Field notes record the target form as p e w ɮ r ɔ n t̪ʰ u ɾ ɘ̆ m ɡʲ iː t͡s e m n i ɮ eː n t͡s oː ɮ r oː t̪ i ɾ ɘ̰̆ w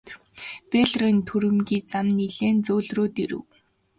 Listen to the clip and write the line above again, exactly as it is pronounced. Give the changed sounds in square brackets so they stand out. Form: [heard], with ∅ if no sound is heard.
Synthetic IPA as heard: p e [∅] ɮ r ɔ n t̪ʰ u ɾ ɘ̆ m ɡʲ iː t͡s [a] m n i ɮ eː n t͡s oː ɮ r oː t̪ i ɾ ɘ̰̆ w